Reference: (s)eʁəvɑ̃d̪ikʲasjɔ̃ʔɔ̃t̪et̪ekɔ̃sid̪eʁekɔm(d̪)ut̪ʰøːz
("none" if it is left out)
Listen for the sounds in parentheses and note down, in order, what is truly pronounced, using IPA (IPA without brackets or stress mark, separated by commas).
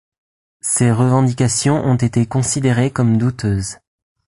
s, d̪